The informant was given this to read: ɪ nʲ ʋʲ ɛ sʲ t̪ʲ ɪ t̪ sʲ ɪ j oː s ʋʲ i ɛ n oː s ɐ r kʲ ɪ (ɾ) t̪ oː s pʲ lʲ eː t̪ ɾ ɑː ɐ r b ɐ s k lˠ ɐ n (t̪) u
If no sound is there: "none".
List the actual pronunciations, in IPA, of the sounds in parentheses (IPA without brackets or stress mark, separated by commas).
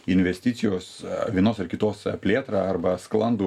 none, d̪